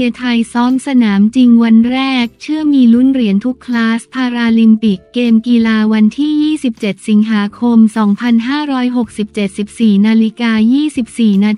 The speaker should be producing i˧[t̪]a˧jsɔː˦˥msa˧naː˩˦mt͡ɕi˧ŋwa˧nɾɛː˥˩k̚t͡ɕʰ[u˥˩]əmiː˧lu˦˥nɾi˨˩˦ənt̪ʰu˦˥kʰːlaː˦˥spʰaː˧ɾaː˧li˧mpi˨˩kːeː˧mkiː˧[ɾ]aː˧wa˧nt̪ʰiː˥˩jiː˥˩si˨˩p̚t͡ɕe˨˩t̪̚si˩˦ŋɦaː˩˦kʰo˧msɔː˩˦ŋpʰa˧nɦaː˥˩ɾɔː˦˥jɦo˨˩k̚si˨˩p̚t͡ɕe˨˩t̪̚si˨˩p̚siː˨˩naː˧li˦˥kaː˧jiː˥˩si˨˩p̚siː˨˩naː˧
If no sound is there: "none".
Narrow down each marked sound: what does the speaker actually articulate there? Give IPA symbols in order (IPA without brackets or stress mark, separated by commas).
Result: t̪ʰ, ɯ˥˩, l